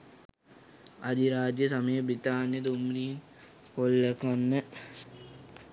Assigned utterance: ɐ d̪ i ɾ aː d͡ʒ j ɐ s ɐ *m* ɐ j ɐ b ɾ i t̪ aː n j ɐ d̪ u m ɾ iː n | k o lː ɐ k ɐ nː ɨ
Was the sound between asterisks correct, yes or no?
yes